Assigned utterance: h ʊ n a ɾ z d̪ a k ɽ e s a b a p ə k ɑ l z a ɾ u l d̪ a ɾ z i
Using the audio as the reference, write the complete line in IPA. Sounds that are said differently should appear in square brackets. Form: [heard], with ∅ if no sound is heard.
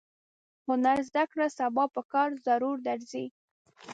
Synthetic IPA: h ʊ n a ɾ z d̪ a k ɽ [a] s a b [ɑ] p ə k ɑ [ɾ] z a ɾ u [ɾ] d̪ a ɾ z i